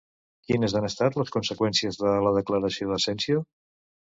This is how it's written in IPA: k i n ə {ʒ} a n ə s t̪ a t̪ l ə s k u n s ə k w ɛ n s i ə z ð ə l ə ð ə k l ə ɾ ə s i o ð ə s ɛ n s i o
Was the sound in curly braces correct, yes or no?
no